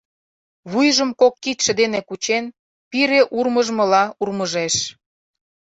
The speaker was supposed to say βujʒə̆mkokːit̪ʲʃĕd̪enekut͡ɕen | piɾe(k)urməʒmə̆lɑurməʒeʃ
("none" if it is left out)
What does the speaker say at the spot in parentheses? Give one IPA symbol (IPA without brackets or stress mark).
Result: ʔ